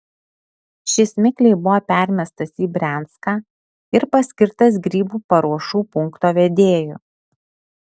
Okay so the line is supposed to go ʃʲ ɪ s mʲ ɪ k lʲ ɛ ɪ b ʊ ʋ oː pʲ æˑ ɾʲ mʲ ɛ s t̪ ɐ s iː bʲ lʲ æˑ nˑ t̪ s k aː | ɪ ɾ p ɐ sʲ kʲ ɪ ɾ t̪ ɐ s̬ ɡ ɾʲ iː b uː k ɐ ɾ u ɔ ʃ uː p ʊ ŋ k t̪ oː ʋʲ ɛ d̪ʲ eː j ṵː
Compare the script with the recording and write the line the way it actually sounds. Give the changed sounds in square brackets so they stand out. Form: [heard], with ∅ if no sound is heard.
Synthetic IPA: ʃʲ ɪ s mʲ ɪ k lʲ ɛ ɪ b ʊ ʋ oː pʲ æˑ ɾʲ mʲ ɛ s t̪ ɐ s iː bʲ [ɾʲ] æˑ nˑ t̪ s k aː | ɪ ɾ p ɐ sʲ kʲ ɪ ɾ t̪ ɐ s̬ ɡ ɾʲ iː b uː [p] ɐ ɾ u ɔ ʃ uː p ʊ ŋ k t̪ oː ʋʲ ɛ d̪ʲ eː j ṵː